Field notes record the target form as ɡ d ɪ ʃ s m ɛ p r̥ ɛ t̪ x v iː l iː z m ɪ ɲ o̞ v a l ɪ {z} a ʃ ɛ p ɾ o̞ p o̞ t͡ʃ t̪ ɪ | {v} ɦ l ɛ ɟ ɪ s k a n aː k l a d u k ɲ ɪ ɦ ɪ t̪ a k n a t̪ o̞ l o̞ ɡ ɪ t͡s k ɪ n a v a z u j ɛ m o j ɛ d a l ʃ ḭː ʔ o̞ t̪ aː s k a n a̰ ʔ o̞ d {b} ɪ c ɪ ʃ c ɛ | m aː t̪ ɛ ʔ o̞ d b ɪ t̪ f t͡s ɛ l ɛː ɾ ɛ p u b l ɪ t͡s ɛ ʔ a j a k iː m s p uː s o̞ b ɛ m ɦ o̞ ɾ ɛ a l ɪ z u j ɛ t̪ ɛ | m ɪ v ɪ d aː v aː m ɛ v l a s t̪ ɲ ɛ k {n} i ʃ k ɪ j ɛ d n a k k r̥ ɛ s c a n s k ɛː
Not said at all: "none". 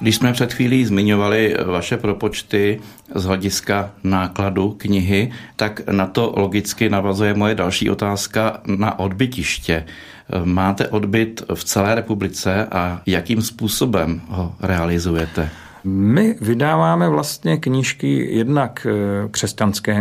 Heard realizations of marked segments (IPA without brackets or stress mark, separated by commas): v, z, b, ɲ